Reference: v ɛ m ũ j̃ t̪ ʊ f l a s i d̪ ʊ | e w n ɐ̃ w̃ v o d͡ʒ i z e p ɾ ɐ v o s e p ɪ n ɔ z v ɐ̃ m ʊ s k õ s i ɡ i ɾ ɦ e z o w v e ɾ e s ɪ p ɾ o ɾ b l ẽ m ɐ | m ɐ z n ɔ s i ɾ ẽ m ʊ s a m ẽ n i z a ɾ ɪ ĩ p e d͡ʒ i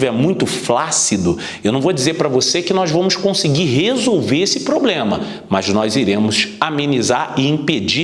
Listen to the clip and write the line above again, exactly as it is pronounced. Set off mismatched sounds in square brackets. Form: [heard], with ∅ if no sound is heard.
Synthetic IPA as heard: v ɛ m ũ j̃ t̪ ʊ f l a s i d̪ ʊ | e w n ɐ̃ w̃ v o d͡ʒ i z e p ɾ ɐ v o s e [k] ɪ n ɔ z v ɐ̃ m ʊ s k õ s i ɡ i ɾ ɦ e z o w v e ɾ e s ɪ p ɾ o [∅] b l ẽ m ɐ | m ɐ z n ɔ [z] i ɾ ẽ m ʊ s a m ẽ n i z a ɾ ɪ ĩ p e d͡ʒ i